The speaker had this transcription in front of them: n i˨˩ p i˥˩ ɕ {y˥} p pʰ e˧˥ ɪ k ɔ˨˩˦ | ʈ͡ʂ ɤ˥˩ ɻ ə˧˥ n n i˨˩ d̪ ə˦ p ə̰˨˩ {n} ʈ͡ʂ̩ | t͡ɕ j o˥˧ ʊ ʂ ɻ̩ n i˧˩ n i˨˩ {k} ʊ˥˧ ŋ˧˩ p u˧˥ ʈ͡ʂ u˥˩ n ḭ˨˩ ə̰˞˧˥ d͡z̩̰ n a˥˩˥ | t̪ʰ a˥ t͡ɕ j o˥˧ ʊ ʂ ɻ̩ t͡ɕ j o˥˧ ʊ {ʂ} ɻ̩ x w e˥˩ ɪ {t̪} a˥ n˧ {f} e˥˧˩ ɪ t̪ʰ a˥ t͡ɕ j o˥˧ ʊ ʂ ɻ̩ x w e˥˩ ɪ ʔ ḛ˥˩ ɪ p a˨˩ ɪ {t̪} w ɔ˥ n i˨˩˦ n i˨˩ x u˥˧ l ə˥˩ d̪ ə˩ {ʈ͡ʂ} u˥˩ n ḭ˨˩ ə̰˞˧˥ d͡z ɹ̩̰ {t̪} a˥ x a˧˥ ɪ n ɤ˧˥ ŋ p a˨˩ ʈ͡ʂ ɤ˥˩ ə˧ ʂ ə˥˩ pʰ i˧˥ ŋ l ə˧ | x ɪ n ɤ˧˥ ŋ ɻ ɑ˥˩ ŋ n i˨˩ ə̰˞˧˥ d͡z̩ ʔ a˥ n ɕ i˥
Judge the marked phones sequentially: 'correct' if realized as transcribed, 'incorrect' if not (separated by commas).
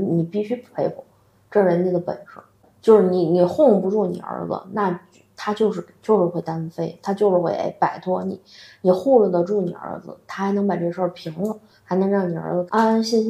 correct, correct, incorrect, correct, correct, correct, incorrect, correct, incorrect